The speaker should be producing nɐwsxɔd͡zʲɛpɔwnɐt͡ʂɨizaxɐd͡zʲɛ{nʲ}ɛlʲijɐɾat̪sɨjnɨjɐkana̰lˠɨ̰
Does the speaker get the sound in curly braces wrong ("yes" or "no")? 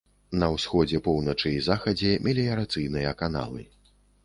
yes